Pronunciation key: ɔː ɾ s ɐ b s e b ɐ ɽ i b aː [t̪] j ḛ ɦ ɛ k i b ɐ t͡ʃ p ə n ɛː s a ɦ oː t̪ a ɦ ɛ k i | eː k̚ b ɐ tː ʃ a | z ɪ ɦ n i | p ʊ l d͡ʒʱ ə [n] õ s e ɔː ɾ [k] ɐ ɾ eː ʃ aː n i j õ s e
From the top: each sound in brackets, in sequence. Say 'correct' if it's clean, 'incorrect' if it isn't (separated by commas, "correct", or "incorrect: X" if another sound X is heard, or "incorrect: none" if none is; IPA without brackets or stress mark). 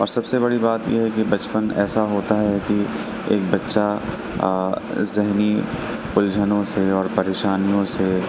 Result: correct, correct, incorrect: p